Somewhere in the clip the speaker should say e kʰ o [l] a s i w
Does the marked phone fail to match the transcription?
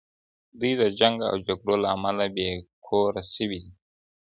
yes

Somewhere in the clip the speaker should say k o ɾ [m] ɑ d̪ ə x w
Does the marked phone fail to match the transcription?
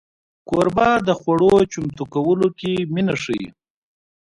yes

